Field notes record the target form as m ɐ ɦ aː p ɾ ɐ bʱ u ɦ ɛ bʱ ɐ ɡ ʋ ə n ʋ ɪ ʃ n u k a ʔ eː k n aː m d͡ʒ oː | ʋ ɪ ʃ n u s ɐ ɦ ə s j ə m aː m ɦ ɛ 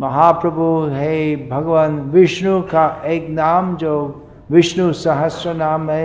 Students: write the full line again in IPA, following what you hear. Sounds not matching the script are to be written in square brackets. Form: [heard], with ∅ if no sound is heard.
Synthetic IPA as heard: m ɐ ɦ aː p ɾ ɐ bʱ u ɦ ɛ bʱ ɐ ɡ ʋ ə n ʋ ɪ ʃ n u k a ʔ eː k n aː m d͡ʒ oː | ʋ ɪ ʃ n u s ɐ ɦ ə s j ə [n] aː m ɦ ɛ